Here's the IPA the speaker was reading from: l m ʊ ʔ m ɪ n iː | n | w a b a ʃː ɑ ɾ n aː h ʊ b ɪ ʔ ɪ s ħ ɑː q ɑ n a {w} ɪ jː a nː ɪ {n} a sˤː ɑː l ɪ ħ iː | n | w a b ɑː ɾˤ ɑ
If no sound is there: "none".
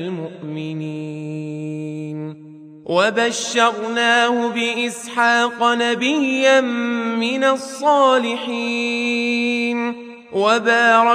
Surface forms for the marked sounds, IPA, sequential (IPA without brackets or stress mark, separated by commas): b, n